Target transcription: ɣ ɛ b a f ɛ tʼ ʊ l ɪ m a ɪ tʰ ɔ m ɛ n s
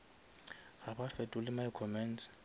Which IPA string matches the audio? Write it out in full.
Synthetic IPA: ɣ a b a f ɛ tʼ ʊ l ɪ m a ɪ kʰ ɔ m ɛ n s